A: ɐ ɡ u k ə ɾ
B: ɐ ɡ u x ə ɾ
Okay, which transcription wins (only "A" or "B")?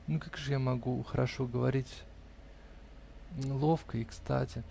B